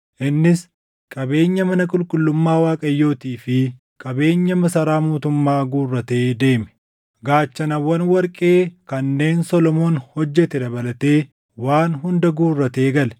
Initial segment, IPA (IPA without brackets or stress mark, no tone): ʔ